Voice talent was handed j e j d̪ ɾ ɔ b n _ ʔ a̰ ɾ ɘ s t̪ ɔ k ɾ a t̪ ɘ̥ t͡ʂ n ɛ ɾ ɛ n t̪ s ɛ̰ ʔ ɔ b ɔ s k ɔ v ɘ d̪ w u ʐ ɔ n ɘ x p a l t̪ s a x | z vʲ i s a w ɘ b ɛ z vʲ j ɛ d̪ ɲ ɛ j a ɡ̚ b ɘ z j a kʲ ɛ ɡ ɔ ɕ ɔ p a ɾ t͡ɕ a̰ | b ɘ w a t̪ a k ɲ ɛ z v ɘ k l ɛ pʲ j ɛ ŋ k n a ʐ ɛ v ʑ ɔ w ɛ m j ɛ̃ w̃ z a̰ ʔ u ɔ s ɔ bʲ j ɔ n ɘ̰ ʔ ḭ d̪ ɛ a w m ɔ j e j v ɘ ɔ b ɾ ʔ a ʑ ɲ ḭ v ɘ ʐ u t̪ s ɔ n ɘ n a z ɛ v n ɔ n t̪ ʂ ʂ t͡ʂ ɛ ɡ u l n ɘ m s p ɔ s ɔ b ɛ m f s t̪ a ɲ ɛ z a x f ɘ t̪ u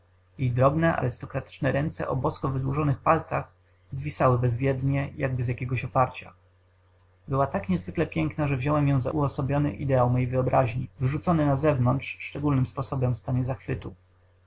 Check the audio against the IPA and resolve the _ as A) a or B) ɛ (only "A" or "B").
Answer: B